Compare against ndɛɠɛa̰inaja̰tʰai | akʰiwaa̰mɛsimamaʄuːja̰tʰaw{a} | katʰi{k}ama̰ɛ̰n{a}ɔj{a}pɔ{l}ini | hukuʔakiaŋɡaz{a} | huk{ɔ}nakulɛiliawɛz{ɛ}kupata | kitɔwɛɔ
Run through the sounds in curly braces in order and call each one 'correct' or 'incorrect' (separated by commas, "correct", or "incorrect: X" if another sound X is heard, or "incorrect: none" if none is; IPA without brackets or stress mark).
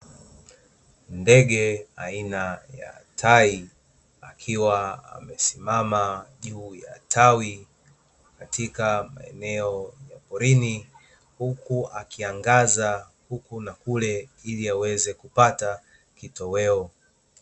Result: incorrect: i, correct, incorrect: ɛ, correct, incorrect: ɾ, correct, incorrect: u, correct